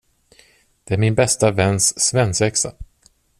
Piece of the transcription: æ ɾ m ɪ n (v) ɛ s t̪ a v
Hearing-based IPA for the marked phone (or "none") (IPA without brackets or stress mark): b